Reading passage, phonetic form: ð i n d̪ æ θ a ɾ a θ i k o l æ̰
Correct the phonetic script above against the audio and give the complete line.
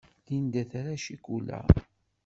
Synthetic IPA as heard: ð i n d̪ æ θ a ɾ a ʃ i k u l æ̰